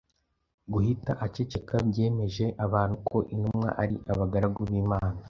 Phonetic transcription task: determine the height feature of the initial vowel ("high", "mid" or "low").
high